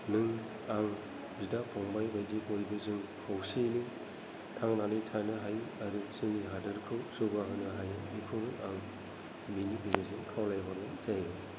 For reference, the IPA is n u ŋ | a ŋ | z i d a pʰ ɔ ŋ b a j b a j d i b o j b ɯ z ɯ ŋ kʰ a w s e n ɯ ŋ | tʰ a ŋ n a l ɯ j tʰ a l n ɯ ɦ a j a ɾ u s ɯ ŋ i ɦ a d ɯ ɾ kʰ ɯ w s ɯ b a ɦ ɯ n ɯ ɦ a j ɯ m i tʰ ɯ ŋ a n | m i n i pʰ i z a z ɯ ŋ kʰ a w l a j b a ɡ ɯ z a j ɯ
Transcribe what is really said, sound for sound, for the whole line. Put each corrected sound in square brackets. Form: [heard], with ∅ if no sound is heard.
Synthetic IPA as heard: n [ɯ] ŋ | a ŋ | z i d a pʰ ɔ ŋ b a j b a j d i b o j b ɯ z ɯ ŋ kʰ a w s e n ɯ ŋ | tʰ a ŋ n a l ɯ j tʰ a [∅] n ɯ ɦ a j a ɾ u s ɯ ŋ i ɦ a d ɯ ɾ kʰ ɯ w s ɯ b a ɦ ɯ n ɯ ɦ a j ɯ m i [kʰ] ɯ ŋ a [ŋ] | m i n i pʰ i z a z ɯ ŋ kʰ a w l a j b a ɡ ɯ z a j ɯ

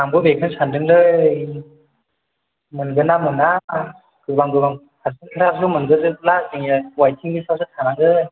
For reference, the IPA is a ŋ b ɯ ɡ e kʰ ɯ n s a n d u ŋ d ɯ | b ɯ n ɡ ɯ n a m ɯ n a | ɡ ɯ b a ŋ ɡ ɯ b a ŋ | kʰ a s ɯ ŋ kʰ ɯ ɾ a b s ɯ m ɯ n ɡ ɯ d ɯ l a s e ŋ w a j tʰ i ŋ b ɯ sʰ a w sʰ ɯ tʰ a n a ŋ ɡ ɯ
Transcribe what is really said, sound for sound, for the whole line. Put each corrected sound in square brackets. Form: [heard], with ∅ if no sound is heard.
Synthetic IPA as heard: a ŋ b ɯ [b] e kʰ ɯ n s a n d [ɯ] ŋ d ɯ | [m] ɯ n ɡ ɯ n a m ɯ n a | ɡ ɯ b a ŋ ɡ ɯ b a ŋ | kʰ a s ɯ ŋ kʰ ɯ ɾ a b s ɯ m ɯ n ɡ ɯ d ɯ l a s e ŋ w a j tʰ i ŋ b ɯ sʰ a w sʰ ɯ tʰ a n a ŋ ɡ ɯ

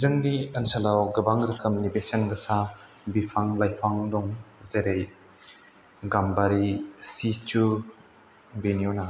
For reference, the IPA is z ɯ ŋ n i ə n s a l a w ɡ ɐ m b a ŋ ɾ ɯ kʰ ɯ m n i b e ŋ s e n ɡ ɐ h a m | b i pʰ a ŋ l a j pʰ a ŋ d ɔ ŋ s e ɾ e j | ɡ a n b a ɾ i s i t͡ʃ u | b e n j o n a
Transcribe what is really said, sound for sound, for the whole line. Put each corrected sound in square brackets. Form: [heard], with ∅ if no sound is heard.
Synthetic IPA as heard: z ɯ ŋ n i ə n s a l a w ɡ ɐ [∅] b a ŋ ɾ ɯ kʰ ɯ m n i b e [∅] s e n ɡ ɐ [s] a [∅] | b i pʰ a ŋ l a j pʰ a ŋ d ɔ ŋ [z] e ɾ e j | ɡ a [m] b a ɾ i s i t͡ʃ u | b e n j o n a

